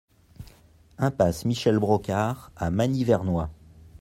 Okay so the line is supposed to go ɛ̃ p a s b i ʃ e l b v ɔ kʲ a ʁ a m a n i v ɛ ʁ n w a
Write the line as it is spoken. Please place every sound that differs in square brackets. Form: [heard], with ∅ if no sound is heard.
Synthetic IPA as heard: ɛ̃ p a s [m] i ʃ [ɛ] l b [ʁ] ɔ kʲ a ʁ a m a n i v ɛ ʁ n w a